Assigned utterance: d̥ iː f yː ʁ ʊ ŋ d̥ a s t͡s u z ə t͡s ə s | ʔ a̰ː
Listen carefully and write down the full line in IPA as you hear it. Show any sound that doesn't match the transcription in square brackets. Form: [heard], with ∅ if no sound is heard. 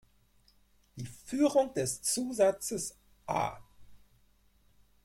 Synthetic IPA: d̥ iː f yː ʁ ʊ ŋ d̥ [ɛ] s t͡s [uː] z [a] t͡s ə s | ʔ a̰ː